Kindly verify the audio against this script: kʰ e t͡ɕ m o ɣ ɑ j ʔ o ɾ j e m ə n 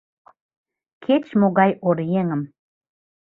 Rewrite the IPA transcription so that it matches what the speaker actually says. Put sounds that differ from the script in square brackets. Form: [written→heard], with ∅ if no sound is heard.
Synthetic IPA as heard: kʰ e t͡ɕ m o ɣ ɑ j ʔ o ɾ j e [m→ŋ] ə [n→m]

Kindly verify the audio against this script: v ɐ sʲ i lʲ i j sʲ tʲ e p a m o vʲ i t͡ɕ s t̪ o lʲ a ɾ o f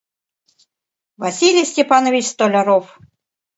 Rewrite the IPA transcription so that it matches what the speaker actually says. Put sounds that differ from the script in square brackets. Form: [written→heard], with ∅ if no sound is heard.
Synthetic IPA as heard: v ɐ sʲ i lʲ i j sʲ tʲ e p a [m→n] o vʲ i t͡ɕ s t̪ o lʲ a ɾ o f

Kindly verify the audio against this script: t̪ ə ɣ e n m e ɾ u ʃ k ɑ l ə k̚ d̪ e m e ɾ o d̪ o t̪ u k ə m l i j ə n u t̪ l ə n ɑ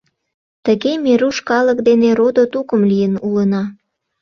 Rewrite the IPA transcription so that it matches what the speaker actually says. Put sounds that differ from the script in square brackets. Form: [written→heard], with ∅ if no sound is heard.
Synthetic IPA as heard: t̪ ə ɣ e [n→∅] m e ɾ u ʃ k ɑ l ə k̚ d̪ e [m→n] e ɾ o d̪ o t̪ u k ə m l i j ə n u [t̪→∅] l ə n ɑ

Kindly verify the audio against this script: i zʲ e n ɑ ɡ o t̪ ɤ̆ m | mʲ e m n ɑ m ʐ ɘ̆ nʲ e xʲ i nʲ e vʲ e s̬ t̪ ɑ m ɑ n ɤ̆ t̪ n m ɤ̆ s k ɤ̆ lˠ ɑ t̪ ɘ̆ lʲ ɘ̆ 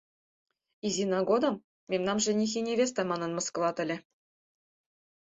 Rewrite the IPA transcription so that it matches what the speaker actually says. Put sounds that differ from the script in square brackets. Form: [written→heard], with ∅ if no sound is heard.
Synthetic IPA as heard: i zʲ [e→i] n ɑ ɡ o [t̪→d̪] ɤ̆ m | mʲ e m n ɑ m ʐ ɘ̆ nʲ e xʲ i nʲ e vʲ e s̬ t̪ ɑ m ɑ n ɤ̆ [t̪→∅] n m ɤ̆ s k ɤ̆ lˠ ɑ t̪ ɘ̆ lʲ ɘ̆

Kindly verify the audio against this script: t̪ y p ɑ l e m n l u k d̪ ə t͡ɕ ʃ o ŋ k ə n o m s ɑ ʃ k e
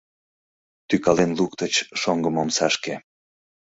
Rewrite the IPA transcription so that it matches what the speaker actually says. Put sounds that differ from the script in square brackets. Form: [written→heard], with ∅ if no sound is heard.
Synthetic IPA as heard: t̪ y [p→k] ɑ l e [m→∅] n l u k [d̪→t̪] ə t͡ɕ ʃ o ŋ [k→ɡ] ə [n→m] o m s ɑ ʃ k e

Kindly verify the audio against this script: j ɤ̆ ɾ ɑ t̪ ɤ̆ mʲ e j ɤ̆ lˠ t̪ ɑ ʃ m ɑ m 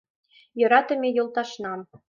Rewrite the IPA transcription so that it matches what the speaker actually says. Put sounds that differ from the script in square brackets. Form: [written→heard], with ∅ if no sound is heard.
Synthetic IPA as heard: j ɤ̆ ɾ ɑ t̪ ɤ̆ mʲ e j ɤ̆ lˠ t̪ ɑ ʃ [m→n] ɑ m

